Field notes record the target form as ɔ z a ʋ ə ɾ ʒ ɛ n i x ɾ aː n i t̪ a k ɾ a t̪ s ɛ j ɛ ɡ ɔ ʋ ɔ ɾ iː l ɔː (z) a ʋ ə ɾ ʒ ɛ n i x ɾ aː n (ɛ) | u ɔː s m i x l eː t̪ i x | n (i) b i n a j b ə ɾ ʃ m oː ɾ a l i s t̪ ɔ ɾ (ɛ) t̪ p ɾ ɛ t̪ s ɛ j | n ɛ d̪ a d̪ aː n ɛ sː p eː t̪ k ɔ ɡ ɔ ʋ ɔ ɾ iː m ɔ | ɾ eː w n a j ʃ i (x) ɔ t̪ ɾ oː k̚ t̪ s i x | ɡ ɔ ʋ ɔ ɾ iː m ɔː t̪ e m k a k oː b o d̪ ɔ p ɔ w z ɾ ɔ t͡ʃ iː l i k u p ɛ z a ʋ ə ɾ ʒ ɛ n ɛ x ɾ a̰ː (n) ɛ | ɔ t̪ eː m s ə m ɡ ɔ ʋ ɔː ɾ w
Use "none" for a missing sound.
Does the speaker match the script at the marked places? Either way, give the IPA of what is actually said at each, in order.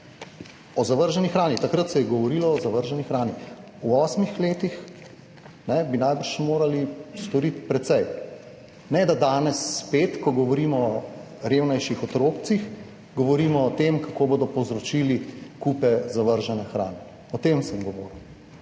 z, i, ɛ, i, x, n

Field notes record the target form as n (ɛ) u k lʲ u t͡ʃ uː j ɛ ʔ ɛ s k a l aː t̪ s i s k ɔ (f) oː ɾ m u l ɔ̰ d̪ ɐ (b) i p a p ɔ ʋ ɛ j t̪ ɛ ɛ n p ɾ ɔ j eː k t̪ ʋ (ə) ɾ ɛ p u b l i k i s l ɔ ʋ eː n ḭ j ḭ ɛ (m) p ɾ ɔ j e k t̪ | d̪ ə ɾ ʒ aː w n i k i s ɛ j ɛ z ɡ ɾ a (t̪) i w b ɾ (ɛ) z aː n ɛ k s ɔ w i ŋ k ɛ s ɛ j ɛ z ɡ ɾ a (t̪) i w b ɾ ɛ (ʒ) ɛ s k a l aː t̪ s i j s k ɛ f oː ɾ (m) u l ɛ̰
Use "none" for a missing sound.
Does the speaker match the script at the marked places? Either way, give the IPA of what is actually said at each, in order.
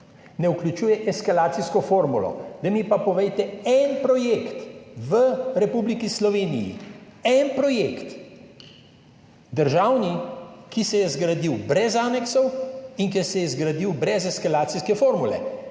ɛ, f, m, ə, n, d̪, ɛ, d̪, z, m

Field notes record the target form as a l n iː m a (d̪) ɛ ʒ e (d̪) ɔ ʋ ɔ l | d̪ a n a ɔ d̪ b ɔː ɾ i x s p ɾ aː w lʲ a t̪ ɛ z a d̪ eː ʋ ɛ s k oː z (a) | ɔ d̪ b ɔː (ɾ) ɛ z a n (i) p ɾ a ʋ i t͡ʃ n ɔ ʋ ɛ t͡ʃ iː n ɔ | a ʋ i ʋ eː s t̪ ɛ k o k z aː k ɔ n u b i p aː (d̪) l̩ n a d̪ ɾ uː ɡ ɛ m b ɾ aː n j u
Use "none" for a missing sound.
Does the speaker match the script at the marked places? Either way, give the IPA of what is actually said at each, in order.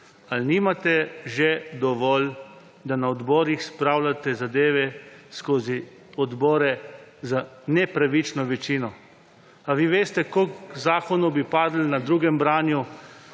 t̪, d̪, i, ɾ, ɛ, d̪

